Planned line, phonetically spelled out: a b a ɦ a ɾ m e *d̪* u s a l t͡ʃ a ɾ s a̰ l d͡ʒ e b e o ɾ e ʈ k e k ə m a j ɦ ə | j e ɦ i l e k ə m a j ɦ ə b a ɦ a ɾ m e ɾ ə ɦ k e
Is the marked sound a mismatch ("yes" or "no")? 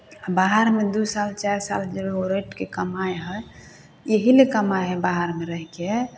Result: no